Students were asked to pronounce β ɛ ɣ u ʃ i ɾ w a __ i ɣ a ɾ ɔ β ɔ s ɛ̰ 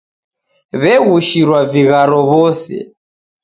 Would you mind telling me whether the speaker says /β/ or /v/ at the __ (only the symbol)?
v